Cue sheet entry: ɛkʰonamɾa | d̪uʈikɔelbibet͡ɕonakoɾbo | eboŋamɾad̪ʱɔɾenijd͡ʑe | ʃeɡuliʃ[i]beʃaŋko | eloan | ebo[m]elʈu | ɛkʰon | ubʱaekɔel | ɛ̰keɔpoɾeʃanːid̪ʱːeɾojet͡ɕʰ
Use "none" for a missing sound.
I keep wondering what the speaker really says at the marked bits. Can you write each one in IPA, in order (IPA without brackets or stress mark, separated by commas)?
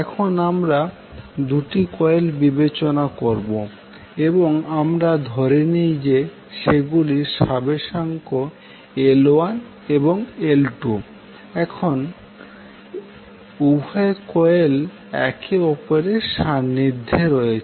a, ŋ